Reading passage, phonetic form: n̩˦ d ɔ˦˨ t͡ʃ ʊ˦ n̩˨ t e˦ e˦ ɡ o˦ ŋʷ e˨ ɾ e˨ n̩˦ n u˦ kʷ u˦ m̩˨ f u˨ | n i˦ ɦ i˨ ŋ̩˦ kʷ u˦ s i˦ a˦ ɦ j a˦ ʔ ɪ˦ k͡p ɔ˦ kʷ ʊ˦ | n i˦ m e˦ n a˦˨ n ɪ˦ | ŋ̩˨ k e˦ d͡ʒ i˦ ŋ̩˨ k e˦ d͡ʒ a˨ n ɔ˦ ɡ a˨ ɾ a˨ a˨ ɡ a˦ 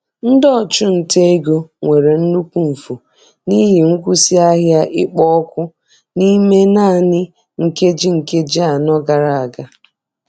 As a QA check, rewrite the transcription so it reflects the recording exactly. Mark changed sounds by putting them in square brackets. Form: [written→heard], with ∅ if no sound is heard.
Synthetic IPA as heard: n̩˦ d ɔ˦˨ t͡ʃ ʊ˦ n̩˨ t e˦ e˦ ɡ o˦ ŋʷ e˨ ɾ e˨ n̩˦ n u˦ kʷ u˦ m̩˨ f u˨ | n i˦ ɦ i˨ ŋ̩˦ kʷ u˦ s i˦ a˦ ɦ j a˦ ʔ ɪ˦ k͡p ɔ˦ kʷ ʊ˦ | n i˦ m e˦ n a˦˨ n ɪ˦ | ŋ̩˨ k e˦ d͡ʒ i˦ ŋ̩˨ k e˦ d͡ʒ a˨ n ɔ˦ ɡ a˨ ɾ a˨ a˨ ɡ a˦